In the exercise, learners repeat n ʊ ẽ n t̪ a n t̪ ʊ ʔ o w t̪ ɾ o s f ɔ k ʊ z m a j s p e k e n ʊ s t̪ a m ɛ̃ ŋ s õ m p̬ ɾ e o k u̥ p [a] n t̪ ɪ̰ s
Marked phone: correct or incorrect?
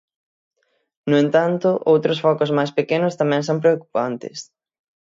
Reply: correct